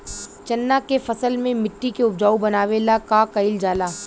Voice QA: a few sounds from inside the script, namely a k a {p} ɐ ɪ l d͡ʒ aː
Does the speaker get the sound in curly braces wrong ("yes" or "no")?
yes